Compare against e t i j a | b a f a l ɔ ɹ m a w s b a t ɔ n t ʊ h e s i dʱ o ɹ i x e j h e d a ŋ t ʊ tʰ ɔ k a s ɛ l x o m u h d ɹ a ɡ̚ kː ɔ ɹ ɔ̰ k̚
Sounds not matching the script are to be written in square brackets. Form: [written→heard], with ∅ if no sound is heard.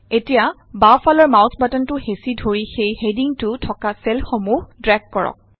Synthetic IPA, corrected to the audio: e t i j a | b a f a l ɔ ɹ m a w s b a t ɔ n t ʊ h e s i dʱ o ɹ i x e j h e d [a→i] ŋ t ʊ tʰ ɔ k a s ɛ l x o m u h d ɹ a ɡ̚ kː ɔ ɹ ɔ̰ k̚